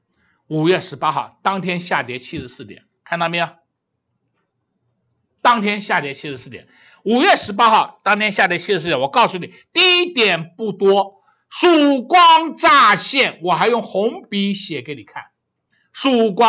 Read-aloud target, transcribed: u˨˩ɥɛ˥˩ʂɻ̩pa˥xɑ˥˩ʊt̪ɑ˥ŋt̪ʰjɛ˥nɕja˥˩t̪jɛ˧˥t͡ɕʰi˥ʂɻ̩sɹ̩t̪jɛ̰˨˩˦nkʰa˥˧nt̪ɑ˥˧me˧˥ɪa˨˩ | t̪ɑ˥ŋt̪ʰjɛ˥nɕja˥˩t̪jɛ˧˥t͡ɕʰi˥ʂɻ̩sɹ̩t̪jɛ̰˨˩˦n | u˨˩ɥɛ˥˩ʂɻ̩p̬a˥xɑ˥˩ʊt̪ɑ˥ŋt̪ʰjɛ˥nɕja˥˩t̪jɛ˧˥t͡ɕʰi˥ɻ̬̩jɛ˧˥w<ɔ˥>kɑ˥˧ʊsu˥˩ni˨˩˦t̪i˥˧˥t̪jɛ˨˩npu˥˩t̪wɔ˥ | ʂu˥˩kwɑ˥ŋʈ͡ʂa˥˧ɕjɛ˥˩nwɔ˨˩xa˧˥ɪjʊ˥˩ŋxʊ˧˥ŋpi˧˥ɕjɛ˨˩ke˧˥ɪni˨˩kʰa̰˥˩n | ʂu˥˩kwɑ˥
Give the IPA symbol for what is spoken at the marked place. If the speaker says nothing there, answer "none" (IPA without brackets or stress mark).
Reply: ɔ˨˩